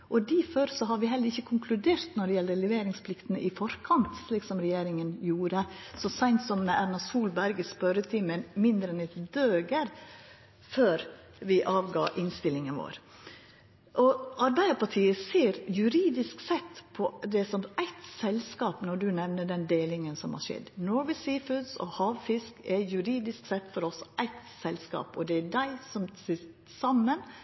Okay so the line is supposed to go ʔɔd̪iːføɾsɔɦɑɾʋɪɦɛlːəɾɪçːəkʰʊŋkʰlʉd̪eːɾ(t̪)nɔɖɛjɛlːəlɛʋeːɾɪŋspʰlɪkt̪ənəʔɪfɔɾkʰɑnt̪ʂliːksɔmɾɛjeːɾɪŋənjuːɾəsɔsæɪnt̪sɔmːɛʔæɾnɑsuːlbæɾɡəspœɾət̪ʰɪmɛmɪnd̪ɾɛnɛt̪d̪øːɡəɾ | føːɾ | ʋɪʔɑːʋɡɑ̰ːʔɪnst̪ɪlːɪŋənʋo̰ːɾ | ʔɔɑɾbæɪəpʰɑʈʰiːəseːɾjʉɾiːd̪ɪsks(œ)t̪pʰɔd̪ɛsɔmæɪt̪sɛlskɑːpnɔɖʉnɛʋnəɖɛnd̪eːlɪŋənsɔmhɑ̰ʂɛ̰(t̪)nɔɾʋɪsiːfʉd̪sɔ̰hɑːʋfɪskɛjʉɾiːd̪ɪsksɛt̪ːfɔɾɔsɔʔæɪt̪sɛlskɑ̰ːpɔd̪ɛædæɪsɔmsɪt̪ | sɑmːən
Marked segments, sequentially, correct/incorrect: correct, incorrect, incorrect

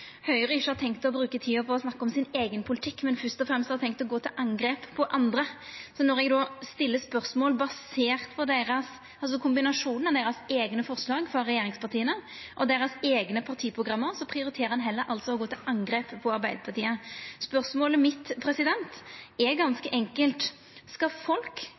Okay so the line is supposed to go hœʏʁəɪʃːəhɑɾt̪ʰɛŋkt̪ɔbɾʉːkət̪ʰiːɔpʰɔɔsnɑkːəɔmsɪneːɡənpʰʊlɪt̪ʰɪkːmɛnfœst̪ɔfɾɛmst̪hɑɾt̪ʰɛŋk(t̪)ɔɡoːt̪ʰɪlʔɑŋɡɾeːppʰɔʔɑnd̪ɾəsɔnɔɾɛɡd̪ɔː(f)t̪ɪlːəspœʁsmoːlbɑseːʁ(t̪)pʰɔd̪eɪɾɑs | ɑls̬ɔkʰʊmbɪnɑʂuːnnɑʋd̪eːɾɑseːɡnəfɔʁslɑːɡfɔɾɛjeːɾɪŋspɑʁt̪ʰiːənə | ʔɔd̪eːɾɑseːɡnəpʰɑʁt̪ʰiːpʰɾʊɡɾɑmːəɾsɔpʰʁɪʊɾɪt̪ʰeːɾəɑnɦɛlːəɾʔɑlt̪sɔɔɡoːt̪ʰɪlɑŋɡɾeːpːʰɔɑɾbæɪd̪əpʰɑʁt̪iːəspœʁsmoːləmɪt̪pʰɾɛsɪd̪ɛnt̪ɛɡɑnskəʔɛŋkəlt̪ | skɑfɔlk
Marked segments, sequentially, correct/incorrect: correct, incorrect, correct

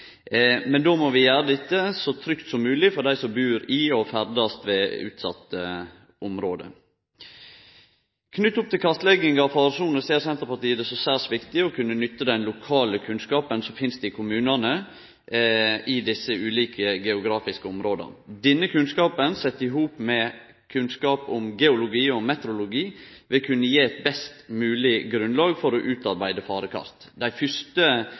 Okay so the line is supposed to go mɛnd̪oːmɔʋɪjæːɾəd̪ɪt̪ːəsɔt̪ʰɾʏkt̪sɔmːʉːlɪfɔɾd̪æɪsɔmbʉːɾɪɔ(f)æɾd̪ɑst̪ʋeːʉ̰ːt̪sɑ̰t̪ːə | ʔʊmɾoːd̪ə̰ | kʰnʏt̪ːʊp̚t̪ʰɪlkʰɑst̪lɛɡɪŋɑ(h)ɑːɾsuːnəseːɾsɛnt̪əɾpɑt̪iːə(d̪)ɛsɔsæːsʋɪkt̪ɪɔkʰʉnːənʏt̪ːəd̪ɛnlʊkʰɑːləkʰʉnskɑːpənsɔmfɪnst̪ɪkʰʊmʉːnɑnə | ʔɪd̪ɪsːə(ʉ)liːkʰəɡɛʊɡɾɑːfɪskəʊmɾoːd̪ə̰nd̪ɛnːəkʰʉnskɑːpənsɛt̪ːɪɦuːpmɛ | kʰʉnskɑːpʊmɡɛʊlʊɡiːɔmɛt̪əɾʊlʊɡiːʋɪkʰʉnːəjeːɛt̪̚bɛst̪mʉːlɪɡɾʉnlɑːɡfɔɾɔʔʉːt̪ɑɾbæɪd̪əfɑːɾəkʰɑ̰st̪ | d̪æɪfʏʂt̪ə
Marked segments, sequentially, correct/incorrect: correct, incorrect, correct, incorrect

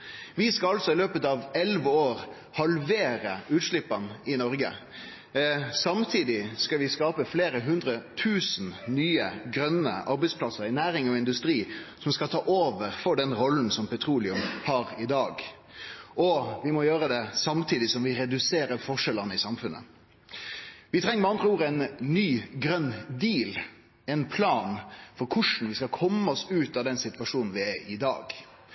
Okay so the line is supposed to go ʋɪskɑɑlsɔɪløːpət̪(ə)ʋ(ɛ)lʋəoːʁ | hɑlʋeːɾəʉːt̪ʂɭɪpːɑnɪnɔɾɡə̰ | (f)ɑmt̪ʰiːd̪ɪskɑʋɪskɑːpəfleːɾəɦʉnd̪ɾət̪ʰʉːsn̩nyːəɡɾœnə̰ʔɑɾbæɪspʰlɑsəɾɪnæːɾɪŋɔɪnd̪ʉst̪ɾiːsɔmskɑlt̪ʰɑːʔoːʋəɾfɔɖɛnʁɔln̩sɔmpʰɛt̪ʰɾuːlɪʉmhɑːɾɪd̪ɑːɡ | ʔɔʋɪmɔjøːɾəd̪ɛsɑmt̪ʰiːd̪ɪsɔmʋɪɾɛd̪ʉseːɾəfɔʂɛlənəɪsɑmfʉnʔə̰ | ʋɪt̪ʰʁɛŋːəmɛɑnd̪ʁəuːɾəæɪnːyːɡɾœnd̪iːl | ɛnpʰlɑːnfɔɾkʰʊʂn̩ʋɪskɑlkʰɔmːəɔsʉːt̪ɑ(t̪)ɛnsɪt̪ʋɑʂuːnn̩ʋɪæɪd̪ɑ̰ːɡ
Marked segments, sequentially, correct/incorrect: incorrect, correct, incorrect, incorrect

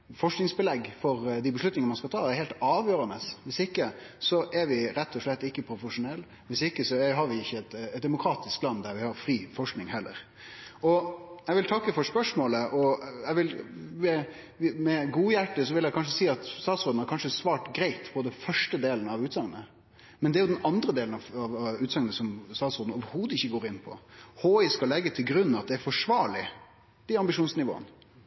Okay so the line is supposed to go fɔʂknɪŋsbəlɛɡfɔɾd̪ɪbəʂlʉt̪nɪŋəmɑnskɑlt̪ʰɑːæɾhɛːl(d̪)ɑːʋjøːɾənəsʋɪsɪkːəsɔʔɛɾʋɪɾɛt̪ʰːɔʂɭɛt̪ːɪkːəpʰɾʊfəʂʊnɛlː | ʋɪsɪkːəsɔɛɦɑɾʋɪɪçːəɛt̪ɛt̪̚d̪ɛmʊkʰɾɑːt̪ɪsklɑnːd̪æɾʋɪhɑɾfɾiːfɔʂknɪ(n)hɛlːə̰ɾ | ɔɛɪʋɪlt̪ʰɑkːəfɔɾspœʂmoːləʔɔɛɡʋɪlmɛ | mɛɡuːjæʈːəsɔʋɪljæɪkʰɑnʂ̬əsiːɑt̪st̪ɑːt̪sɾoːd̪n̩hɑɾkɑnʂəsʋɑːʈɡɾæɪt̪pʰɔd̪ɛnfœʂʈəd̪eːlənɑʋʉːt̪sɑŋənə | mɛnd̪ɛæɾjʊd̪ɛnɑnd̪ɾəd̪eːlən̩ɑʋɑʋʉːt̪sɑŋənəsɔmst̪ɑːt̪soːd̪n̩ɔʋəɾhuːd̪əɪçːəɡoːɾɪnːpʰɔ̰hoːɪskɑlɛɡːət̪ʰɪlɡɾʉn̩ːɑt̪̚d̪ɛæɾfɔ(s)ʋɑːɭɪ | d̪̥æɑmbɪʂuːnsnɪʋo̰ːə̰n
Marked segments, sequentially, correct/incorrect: incorrect, incorrect, incorrect

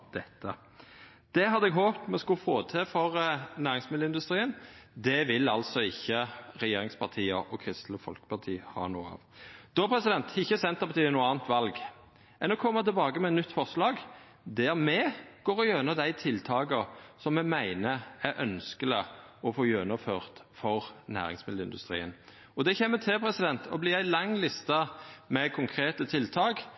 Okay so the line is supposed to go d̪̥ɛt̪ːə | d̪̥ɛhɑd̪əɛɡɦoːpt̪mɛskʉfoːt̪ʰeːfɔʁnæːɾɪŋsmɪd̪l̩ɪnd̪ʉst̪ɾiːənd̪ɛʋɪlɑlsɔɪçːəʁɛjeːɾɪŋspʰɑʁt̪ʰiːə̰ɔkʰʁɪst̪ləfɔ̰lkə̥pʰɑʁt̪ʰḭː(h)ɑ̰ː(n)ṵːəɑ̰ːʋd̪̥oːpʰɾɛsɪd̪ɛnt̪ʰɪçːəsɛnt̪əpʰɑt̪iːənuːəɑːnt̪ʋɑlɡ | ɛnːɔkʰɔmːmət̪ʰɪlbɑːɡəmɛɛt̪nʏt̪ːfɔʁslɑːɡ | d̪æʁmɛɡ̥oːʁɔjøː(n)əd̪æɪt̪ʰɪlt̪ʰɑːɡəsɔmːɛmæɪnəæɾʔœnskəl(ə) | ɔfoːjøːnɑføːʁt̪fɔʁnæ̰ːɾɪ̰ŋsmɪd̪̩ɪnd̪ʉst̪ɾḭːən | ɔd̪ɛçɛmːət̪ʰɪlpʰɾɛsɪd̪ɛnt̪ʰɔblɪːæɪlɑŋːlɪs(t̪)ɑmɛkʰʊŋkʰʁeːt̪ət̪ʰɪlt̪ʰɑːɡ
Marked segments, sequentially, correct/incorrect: correct, correct, correct, correct, correct

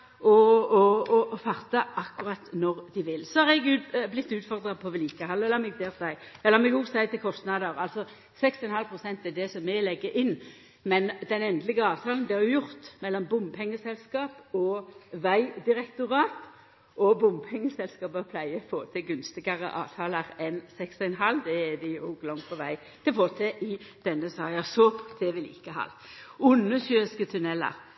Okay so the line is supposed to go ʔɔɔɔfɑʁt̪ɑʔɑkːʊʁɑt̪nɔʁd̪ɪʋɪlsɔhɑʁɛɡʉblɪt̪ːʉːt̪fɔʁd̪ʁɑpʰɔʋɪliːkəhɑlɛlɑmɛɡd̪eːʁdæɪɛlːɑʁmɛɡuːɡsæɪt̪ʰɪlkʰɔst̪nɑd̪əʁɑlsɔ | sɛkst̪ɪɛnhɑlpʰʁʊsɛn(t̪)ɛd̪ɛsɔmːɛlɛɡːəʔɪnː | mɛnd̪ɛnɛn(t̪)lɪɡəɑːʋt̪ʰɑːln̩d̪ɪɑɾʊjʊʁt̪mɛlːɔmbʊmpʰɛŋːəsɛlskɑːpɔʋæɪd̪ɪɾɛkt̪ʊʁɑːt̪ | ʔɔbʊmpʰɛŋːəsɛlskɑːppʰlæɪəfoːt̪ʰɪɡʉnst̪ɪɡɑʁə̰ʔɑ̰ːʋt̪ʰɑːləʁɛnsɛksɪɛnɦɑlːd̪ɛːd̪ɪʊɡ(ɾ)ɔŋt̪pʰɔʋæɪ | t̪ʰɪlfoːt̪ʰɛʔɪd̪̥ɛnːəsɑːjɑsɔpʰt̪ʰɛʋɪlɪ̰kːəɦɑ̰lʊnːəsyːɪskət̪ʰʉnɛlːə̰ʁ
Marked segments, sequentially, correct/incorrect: correct, incorrect, incorrect

